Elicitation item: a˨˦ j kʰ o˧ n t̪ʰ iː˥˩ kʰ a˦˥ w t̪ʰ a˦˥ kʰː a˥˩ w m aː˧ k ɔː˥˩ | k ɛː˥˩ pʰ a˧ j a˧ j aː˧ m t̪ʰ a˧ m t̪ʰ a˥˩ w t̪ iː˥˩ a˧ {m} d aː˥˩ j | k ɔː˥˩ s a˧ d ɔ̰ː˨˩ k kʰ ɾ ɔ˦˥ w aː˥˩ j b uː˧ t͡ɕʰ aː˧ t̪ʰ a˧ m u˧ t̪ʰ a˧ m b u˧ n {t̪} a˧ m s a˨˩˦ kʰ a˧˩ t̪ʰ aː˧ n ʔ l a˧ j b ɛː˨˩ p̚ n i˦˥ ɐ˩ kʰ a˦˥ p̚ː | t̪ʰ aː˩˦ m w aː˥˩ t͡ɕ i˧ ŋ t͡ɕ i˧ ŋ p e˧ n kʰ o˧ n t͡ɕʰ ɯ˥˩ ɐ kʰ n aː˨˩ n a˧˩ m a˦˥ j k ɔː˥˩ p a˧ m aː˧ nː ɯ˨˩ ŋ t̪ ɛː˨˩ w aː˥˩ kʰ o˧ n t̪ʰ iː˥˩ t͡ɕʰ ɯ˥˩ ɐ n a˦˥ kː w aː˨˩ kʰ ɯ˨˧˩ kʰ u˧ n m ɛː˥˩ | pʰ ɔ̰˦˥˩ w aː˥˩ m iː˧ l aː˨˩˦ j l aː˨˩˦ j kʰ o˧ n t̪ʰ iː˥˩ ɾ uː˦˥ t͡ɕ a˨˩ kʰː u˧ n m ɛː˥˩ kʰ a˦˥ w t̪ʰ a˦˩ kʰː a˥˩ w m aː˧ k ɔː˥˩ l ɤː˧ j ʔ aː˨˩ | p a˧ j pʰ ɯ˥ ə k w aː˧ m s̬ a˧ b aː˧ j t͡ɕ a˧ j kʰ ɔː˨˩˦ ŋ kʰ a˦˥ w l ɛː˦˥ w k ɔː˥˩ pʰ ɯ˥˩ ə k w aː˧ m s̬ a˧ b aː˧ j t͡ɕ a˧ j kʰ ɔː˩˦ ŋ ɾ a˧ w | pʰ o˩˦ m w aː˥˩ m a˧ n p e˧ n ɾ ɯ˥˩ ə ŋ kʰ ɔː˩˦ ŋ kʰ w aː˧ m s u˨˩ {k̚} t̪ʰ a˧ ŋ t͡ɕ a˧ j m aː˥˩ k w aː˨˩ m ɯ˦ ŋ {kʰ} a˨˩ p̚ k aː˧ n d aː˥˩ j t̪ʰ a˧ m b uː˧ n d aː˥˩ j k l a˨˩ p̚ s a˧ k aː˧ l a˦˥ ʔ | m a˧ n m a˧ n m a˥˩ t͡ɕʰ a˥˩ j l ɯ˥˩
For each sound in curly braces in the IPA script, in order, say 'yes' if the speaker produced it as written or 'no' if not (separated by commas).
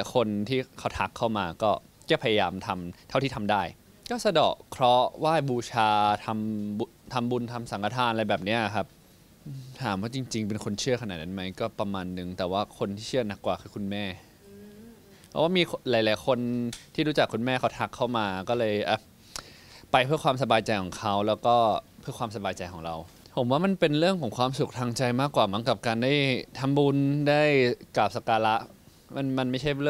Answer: yes, no, yes, no